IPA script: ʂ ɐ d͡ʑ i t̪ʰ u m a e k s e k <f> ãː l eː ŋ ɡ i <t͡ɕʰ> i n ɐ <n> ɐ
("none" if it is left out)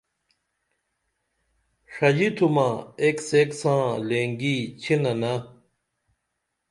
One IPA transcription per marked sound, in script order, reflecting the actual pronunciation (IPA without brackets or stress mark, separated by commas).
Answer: s, t͡ɕʰ, n